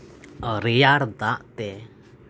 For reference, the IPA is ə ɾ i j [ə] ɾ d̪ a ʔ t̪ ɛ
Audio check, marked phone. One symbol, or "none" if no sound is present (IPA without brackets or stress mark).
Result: a